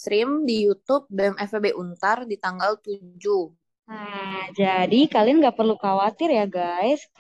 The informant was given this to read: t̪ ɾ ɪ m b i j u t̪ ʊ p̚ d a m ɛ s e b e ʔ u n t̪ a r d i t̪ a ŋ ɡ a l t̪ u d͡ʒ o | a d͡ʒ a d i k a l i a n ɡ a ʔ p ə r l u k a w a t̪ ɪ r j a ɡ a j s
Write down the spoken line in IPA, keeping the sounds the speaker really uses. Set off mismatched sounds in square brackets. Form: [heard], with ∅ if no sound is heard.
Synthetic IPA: t̪ ɾ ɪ m [d] i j u t̪ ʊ p̚ d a m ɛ [f] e b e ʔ u n t̪ a r d i t̪ a ŋ ɡ a l t̪ u d͡ʒ [u] | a d͡ʒ a d i k a l i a n ɡ a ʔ p ə r l u k a w a t̪ ɪ r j a ɡ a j s